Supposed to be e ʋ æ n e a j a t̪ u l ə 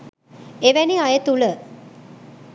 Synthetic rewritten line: e ʋ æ n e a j ə t̪ u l ə